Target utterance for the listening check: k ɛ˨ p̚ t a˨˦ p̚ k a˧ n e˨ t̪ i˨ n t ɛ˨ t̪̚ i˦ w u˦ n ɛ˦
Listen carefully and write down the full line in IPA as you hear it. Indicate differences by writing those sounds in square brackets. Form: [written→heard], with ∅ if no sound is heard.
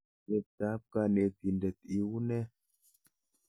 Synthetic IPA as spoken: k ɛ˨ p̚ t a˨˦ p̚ k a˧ n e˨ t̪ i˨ n [t→d] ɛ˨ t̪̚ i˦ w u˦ n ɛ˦